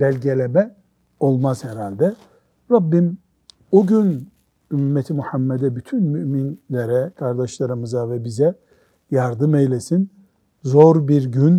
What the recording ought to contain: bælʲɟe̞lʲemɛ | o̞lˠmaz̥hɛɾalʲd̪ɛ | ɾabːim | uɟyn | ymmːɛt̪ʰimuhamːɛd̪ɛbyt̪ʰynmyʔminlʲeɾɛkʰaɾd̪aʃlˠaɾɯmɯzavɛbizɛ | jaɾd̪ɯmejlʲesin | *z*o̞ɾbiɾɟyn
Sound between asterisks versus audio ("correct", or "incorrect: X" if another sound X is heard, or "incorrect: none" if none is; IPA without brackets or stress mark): correct